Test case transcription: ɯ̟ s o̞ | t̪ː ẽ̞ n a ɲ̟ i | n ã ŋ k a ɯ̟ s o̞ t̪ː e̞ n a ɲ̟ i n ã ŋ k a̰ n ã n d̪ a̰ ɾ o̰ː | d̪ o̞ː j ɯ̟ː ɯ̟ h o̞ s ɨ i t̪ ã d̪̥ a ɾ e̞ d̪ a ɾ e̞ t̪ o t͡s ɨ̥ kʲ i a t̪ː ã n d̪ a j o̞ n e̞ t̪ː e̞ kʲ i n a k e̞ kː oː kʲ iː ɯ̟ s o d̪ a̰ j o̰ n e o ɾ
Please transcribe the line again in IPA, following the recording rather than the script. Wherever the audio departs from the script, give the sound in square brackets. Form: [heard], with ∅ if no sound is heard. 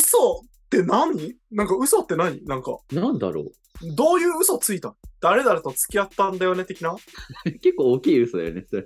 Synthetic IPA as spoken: ɯ̟ s o̞ | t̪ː [e̞] n a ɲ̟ i | n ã ŋ k a ɯ̟ s o̞ t̪ː e̞ n a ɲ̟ i n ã ŋ k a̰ n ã n d̪ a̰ ɾ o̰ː | d̪ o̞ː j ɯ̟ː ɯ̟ [s] o̞ [t͡s] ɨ i t̪ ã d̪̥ a ɾ e̞ d̪ a ɾ e̞ t̪ o t͡s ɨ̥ kʲ i a t̪ː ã n d̪ a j o̞ n e̞ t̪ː e̞ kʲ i n a k e̞ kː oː kʲ iː ɯ̟ s o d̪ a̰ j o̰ n e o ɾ